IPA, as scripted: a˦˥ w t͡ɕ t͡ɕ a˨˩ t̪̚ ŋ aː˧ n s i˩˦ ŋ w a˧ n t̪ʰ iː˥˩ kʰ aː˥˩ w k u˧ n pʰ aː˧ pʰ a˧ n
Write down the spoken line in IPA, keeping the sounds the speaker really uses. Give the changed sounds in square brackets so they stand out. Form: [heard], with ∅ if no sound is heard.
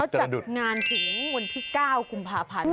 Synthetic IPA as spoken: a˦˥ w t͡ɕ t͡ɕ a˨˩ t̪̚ ŋ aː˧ n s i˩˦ ŋ w a˧ n t̪ʰ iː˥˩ [k] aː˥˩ w k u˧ [m] pʰ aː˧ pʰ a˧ n